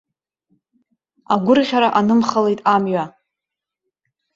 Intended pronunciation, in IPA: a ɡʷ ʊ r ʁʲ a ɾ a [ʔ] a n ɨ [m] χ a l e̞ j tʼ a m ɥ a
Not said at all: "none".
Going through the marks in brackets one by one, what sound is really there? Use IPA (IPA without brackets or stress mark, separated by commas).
ʔ, m